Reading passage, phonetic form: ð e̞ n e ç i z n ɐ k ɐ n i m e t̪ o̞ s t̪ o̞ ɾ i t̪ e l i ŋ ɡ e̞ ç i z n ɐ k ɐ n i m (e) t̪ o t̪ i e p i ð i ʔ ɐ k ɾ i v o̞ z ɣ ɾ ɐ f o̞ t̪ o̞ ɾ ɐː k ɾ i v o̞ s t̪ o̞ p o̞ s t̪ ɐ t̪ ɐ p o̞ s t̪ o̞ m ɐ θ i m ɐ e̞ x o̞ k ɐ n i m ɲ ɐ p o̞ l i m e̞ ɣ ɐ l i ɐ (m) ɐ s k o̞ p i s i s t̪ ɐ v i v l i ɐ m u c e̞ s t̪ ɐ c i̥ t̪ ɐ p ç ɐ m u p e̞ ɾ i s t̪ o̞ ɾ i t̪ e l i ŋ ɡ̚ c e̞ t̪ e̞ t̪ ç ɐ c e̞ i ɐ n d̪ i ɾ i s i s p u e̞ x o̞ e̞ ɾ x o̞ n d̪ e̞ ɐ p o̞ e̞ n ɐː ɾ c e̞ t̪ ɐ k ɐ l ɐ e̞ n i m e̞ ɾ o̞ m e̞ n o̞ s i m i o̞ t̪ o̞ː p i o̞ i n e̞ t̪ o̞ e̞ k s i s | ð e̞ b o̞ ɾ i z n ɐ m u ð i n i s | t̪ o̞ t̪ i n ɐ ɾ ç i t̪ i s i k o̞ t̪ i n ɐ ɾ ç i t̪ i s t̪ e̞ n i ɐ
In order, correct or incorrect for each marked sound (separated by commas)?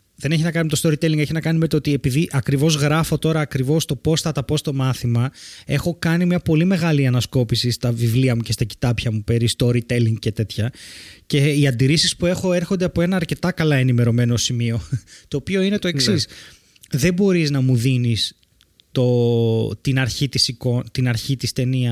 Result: correct, incorrect